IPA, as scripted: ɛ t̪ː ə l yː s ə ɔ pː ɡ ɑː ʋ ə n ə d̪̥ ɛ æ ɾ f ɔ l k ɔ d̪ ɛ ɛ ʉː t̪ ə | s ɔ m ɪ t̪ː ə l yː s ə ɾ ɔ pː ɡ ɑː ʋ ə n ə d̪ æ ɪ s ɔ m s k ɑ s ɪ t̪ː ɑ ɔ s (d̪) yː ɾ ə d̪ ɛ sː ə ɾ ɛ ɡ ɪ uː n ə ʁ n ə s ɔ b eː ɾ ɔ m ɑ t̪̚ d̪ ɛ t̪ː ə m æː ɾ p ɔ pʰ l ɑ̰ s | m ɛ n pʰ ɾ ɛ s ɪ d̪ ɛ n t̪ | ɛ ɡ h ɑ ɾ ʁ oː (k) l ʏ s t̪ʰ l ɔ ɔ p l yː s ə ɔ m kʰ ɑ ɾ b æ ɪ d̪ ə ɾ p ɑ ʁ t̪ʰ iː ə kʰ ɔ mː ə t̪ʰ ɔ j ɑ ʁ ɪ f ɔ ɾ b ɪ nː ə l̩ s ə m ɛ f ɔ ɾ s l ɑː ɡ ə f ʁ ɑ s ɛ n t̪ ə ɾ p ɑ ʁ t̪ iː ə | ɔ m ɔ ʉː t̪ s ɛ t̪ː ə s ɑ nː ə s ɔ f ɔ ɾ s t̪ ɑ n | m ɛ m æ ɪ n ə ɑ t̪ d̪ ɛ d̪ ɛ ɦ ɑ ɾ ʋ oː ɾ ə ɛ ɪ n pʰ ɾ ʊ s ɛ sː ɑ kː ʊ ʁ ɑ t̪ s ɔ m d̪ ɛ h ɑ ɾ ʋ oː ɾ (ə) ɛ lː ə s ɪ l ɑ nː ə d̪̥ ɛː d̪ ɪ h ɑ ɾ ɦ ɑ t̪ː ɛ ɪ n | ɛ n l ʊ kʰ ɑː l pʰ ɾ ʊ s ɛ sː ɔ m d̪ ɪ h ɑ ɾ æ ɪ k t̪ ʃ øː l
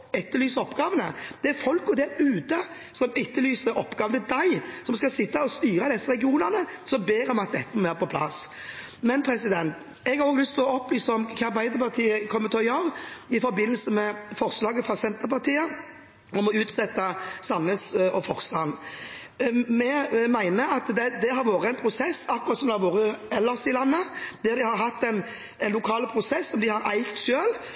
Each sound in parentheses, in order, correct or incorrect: incorrect, incorrect, correct

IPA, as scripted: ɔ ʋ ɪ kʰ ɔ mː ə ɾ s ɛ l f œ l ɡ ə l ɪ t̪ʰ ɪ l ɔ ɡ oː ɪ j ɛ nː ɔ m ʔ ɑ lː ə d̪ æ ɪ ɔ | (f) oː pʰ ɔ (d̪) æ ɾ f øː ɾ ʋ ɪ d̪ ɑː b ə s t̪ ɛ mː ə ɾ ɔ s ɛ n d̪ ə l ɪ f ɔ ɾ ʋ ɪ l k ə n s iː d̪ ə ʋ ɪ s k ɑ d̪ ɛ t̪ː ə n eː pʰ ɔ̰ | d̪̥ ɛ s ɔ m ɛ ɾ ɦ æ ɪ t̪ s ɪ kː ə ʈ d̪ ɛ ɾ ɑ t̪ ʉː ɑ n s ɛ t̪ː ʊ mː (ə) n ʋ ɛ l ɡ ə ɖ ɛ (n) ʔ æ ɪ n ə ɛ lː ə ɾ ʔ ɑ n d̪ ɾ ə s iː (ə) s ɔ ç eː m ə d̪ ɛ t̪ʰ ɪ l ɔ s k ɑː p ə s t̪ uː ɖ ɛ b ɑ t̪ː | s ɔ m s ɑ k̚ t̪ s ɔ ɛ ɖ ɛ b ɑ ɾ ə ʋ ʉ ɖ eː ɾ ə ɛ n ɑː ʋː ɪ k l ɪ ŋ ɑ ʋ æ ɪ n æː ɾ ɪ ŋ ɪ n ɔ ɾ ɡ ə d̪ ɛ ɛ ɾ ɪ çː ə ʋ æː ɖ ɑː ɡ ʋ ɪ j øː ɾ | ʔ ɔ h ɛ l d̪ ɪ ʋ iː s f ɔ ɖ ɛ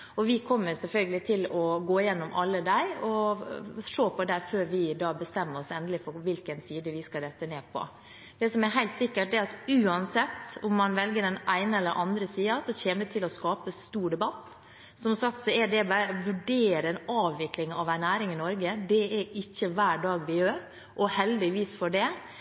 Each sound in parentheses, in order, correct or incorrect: incorrect, correct, incorrect, correct, incorrect

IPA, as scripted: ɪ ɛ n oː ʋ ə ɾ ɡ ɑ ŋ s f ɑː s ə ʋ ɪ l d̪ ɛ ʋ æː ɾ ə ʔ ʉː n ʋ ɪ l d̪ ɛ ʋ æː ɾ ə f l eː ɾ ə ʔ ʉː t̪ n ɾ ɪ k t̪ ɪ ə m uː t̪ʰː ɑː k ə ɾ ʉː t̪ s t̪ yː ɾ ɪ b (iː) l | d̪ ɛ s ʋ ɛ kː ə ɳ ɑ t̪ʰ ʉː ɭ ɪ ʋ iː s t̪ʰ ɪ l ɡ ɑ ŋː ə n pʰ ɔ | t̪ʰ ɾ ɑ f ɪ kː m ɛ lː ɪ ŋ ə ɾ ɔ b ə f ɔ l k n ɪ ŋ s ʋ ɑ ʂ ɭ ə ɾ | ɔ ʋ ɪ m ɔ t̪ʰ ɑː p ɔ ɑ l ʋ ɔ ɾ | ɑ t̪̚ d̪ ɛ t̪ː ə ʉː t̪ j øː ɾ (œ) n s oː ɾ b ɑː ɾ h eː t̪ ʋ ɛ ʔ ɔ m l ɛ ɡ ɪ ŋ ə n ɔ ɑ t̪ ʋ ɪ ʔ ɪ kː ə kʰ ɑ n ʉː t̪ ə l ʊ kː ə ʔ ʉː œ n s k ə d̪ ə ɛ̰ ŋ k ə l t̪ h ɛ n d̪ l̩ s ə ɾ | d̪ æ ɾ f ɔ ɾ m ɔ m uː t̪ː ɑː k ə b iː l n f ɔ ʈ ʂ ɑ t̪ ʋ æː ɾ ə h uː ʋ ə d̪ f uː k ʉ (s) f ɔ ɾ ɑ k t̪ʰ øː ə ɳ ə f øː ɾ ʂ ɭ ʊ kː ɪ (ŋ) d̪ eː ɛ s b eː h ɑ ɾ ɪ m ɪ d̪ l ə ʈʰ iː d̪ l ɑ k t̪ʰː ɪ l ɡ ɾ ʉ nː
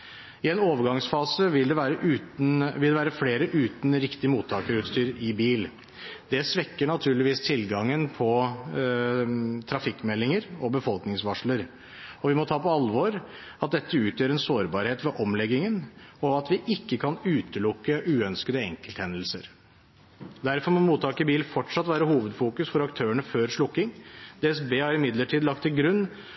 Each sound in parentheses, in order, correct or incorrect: correct, incorrect, correct, correct

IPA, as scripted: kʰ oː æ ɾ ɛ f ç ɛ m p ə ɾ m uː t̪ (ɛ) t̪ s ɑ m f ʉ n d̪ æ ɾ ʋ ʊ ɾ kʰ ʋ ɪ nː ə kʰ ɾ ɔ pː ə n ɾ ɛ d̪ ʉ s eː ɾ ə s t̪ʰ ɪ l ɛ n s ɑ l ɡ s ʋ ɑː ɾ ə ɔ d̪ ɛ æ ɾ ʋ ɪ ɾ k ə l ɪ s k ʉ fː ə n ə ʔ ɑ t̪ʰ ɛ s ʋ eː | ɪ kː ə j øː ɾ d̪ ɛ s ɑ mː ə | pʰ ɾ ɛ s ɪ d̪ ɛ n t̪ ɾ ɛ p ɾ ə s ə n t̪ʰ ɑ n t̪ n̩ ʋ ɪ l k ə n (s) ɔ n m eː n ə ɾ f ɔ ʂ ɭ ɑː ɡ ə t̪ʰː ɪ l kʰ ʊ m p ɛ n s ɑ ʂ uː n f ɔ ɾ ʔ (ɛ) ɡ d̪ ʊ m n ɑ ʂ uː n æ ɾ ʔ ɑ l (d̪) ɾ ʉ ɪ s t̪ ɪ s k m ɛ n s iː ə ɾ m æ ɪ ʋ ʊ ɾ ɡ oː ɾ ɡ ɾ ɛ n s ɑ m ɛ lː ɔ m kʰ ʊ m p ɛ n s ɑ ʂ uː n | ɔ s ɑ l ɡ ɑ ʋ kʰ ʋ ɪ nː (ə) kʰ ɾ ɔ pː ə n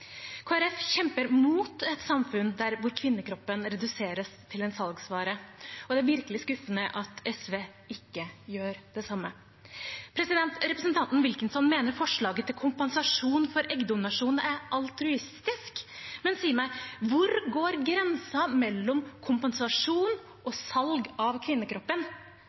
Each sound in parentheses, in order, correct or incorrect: correct, correct, correct, incorrect, correct

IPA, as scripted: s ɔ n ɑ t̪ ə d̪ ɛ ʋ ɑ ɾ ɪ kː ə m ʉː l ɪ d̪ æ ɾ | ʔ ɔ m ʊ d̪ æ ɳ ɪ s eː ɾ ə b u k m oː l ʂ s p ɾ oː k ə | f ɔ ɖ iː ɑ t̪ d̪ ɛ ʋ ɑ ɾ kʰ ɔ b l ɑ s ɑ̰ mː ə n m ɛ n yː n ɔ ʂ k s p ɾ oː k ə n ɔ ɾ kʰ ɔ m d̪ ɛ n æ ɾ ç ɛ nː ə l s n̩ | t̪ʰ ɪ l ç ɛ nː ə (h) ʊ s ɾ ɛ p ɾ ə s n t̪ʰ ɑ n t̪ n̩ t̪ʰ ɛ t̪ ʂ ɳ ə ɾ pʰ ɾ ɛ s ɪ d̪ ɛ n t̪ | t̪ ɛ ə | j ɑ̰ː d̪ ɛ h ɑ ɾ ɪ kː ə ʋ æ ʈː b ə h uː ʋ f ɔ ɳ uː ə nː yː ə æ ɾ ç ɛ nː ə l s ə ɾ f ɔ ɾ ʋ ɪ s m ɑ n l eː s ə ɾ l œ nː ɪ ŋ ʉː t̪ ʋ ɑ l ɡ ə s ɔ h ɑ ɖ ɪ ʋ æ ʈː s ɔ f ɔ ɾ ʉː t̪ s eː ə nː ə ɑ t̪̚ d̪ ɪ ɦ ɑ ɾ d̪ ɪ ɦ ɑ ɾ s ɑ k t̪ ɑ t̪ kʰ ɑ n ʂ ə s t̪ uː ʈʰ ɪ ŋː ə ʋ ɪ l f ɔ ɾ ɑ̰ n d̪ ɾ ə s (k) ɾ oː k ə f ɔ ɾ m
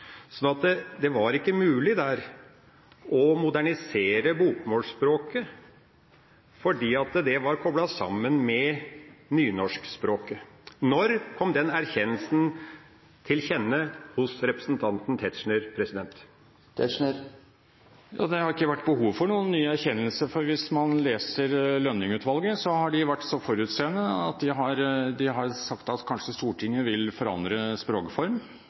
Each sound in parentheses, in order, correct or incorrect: correct, incorrect

